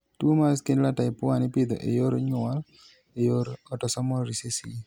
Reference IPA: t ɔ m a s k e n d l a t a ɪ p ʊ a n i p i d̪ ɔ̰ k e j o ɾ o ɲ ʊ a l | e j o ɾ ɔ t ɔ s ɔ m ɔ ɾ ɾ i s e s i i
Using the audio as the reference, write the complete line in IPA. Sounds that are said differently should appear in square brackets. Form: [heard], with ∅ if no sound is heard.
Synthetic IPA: t [u] m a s k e n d l a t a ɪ p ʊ a n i p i d̪ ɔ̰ [ʔ] e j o ɾ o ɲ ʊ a l | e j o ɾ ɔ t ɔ s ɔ m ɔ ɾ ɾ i s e s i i